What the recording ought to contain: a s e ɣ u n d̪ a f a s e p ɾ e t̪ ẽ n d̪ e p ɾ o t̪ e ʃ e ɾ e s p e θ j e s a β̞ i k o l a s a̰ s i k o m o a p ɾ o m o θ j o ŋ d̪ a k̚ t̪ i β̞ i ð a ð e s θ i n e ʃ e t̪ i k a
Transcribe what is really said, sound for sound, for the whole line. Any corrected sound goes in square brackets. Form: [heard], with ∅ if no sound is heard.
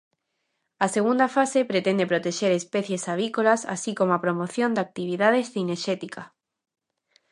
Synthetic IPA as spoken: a s e ɣ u n d̪ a f a s e p ɾ e t̪ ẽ n d̪ e p ɾ o t̪ e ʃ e ɾ e s p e θ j e s a β̞ i k o l a s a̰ s i k o m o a p ɾ o m o θ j o [n] d̪ a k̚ t̪ i β̞ i ð a ð e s θ i n e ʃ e t̪ i k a